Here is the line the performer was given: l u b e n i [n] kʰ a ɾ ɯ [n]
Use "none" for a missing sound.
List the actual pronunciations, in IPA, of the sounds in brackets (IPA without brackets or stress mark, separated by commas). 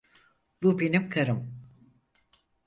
m, m